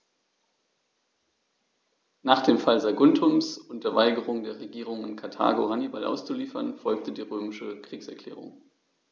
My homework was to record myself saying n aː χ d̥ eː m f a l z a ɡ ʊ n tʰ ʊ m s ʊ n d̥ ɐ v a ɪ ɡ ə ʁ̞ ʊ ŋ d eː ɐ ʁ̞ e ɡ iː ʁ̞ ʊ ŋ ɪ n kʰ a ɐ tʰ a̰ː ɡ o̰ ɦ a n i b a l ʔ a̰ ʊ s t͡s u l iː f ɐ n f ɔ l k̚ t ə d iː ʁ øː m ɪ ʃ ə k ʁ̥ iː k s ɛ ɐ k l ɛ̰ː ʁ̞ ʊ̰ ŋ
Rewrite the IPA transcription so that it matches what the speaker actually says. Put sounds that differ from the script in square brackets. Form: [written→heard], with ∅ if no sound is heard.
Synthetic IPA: n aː χ d̥ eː m f a l z a ɡ ʊ n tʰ ʊ m s ʊ n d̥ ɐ v a ɪ ɡ ə ʁ̞ ʊ ŋ d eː ɐ ʁ̞ e ɡ iː ʁ̞ ʊ ŋ ɪ n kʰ a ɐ tʰ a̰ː ɡ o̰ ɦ a n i b a l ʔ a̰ ʊ s t͡s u l iː f ɐ n f ɔ l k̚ t ə d iː ʁ øː m ɪ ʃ ə k ʁ̥ iː k s ɛ ɐ k l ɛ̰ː ʁ̞ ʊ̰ ŋ